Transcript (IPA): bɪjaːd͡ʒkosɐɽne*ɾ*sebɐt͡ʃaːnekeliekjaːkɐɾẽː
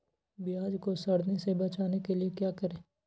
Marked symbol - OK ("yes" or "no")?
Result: no